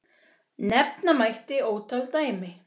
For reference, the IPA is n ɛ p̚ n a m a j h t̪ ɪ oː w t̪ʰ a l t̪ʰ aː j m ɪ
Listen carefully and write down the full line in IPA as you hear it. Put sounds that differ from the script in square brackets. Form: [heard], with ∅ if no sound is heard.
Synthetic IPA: n ɛ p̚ n a m a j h t̪ ɪ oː w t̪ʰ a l [t̪] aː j m ɪ